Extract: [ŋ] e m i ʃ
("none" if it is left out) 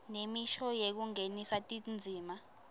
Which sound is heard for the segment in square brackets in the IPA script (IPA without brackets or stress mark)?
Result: n